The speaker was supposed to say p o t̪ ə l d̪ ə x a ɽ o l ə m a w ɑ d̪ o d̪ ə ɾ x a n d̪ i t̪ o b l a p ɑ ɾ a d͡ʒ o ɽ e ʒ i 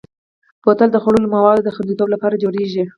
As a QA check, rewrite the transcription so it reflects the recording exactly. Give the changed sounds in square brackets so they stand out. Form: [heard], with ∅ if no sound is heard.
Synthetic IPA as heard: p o t̪ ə l d̪ ə x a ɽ o l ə m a w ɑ d̪ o d̪ ə [∅] x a n d̪ i t̪ o b l a p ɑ ɾ a d͡ʒ o ɽ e ʒ i

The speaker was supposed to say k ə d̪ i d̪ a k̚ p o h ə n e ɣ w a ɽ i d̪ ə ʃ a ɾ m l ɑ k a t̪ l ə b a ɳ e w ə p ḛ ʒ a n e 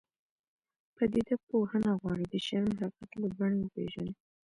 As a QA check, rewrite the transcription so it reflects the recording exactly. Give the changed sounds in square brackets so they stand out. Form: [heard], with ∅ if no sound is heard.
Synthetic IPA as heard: [p] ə d̪ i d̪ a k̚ p o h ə n [a] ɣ w [ɑ] ɽ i d̪ ə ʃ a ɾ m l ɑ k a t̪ l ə b a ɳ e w ə p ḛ ʒ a n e

